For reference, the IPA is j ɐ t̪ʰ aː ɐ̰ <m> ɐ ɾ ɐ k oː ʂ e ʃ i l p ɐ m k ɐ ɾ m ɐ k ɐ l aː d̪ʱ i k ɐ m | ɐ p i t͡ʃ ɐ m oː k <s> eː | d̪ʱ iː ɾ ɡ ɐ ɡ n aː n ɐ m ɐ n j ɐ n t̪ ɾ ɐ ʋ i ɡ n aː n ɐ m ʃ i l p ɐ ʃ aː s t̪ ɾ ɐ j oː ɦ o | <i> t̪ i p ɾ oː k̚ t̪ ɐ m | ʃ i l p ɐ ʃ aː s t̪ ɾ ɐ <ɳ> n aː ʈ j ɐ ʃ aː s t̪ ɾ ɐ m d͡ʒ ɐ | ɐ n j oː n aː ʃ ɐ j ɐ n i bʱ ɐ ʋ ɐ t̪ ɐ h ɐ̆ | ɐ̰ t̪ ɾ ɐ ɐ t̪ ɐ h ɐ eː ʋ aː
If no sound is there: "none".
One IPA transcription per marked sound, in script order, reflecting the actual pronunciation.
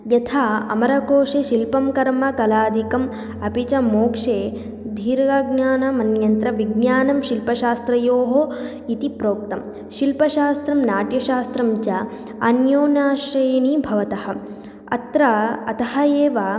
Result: m, ʂ, i, m

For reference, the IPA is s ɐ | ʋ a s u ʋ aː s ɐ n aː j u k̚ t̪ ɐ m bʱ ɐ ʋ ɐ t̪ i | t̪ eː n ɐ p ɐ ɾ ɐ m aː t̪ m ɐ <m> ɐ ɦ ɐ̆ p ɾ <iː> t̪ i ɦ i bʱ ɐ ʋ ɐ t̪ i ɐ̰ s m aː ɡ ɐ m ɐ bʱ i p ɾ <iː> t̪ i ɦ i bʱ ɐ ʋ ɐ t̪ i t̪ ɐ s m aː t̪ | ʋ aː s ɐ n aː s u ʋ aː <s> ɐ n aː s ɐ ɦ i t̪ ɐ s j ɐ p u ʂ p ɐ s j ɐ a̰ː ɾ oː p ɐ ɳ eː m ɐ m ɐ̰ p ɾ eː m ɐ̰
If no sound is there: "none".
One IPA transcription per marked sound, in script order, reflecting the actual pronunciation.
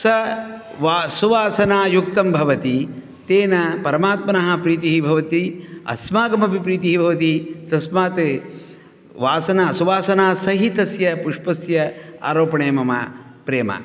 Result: n, iː, iː, s

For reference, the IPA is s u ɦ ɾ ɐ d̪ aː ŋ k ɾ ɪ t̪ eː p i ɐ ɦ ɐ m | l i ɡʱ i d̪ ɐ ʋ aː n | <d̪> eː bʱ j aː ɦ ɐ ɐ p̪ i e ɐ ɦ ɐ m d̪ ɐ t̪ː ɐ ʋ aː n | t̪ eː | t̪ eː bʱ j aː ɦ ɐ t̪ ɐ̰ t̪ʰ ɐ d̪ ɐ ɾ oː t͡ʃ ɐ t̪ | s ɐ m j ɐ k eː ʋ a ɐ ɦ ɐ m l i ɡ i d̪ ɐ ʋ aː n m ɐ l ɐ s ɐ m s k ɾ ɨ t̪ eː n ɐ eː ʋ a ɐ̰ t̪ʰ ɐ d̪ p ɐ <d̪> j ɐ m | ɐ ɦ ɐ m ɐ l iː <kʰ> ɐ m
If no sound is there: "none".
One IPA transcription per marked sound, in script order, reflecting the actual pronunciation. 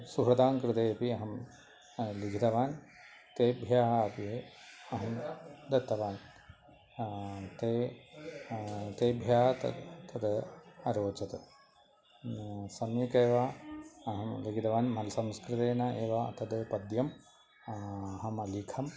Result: t̪, d̪, kʰ

